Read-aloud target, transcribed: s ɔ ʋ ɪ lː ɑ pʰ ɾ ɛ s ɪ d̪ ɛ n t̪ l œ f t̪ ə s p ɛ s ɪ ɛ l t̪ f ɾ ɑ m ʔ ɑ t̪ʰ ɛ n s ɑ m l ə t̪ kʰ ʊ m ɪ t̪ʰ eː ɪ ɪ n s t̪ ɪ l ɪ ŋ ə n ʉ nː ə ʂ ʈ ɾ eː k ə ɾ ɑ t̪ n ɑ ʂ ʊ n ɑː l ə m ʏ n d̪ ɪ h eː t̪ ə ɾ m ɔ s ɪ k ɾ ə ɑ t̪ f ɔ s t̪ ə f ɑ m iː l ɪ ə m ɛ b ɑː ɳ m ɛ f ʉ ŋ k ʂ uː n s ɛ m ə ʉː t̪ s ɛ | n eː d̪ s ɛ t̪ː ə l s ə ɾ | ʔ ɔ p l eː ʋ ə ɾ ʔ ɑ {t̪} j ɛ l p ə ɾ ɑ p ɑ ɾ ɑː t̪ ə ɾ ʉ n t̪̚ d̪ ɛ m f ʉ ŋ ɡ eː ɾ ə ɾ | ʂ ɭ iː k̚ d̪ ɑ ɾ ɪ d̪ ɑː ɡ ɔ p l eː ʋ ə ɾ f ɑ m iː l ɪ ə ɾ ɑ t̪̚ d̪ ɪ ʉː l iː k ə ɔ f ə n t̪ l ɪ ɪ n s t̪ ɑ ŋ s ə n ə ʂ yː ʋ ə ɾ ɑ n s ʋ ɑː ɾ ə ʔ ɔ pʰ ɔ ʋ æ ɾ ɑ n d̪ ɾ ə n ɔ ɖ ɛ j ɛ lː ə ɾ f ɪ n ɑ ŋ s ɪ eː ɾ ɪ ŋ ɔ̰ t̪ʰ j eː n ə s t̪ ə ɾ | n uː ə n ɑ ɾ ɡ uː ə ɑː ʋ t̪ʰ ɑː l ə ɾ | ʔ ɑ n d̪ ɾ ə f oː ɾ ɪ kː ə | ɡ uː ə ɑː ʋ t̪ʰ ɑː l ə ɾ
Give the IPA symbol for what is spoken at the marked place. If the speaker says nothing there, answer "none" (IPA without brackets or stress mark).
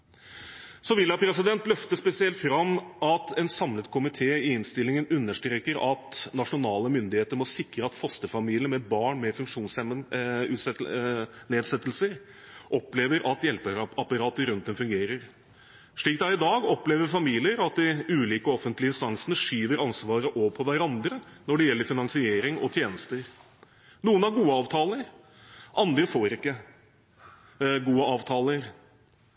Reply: t̪